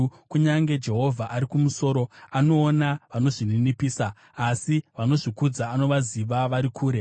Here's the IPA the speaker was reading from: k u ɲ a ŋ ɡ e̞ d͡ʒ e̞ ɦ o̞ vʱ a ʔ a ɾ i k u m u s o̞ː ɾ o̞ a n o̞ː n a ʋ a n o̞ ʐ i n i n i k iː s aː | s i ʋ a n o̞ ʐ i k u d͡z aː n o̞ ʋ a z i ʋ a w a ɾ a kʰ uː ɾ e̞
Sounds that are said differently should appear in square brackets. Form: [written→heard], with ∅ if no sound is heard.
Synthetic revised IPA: k u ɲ a ŋ ɡ e̞ d͡ʒ e̞ ɦ o̞ vʱ a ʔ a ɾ i k u m u s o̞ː ɾ o̞ a n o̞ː n a ʋ a n o̞ ʐ i n i n i [k→p] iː s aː | s i ʋ a n o̞ ʐ i k u d͡z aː n o̞ ʋ a z i ʋ a [w→ʋ] a ɾ [a→i] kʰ uː ɾ e̞